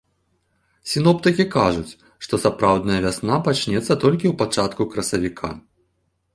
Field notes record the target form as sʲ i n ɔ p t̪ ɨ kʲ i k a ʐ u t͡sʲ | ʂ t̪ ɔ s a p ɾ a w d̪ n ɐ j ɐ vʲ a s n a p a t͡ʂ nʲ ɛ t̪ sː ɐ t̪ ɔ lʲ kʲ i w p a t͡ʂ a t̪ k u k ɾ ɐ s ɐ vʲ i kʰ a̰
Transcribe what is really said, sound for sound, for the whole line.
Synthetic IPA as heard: sʲ i n ɔ p t̪ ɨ kʲ i k a ʐ u t͡sʲ | ʂ t̪ ɔ s a p ɾ a w d̪ n ɐ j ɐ vʲ a s n a p a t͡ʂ nʲ ɛ t̪ sː ɐ t̪ ɔ lʲ kʲ i w p a t͡ʂ a t̪ k u k ɾ ɐ s ɐ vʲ i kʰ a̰